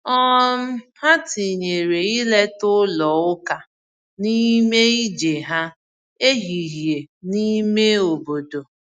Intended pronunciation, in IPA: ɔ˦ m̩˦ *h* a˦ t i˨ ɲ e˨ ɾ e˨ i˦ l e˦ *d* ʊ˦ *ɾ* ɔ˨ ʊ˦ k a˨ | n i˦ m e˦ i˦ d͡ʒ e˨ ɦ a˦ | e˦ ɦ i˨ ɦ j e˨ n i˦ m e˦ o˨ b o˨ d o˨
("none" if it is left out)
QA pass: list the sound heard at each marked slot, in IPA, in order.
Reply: h, t, l

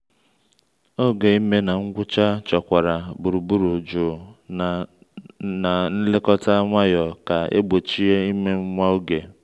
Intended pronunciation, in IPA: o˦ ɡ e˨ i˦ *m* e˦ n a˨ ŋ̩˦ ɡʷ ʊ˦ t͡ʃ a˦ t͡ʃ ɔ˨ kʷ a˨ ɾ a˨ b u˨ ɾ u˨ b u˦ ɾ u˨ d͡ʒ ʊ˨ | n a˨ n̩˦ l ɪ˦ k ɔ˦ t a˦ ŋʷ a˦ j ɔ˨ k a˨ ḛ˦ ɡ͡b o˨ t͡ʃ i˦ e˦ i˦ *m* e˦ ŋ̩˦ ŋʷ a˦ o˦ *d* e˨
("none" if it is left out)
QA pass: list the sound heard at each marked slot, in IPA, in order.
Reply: m, m, ɡ

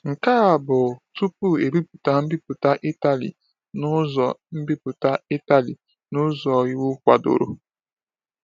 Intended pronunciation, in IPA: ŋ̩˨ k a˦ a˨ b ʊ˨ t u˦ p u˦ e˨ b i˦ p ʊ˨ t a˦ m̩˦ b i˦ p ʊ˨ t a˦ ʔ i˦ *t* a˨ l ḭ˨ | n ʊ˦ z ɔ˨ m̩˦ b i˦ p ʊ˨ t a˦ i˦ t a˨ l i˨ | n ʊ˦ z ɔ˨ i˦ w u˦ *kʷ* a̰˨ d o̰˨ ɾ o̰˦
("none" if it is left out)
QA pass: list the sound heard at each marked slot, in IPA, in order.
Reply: t, kʷ

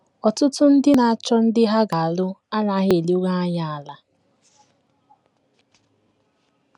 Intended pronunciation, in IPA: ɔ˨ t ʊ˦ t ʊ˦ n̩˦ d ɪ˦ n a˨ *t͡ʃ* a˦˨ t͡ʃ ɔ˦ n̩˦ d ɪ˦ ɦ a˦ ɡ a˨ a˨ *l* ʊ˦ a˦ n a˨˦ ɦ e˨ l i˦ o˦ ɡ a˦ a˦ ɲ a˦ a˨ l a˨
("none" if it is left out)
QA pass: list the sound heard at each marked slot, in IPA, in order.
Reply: none, l

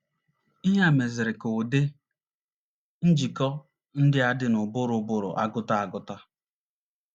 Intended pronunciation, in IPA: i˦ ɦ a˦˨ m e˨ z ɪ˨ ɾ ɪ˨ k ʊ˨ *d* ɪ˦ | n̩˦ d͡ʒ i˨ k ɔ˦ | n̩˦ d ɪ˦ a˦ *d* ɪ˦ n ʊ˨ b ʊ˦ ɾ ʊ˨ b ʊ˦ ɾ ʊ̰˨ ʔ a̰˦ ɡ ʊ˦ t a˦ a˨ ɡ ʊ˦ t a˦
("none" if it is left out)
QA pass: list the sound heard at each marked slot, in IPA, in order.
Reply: d, d

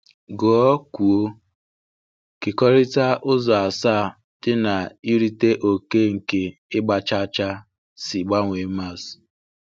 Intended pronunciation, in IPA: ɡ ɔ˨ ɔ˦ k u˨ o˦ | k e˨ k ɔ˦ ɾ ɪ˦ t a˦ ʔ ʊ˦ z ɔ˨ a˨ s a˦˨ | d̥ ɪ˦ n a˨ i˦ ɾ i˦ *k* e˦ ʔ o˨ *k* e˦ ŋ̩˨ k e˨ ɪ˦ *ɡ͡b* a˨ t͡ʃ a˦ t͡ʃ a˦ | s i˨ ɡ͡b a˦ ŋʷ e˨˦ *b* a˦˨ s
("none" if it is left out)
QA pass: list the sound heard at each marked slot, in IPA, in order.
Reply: t, k, ɡ͡b, m

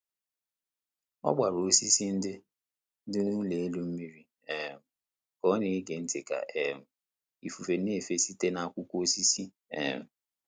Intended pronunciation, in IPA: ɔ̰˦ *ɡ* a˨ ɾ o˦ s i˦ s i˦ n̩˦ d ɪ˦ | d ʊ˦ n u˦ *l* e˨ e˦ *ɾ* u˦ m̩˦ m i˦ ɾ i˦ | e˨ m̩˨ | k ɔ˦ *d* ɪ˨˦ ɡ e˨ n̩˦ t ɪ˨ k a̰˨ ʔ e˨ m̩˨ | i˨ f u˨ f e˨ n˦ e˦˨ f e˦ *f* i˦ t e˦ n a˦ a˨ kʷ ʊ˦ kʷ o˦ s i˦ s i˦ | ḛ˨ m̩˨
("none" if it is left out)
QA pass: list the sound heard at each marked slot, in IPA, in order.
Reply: ɡ͡b, l, l, n, s

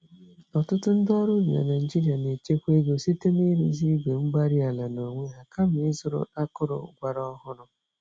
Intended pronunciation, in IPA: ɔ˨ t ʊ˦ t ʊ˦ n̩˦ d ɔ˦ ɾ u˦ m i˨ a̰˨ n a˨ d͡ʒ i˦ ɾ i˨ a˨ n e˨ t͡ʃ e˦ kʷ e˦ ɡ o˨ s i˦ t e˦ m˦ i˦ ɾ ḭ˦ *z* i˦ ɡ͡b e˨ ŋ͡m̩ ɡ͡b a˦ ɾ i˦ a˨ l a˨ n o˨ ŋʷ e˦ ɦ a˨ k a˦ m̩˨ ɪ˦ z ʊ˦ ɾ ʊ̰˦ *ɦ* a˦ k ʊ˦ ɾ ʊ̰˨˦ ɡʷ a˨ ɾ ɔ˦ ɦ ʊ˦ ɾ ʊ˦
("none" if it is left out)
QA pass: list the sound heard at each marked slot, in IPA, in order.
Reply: z, none

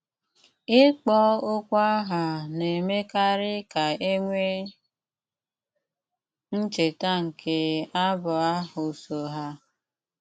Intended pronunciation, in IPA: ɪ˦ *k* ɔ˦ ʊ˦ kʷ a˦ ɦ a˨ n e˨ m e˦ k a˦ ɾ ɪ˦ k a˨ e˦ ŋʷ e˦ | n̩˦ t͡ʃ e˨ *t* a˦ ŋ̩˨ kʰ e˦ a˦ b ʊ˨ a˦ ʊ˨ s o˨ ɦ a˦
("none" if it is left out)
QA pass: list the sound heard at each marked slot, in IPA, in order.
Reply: k͡p, t

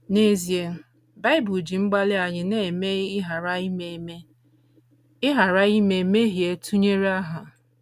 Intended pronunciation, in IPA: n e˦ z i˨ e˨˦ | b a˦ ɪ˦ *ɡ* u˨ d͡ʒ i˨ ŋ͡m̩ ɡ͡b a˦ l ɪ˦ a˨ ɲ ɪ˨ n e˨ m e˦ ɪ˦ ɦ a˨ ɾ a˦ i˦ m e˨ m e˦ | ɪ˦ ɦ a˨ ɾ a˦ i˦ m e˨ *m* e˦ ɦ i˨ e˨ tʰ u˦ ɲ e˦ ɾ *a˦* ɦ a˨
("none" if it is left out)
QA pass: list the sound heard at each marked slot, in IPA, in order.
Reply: b, m, a˦

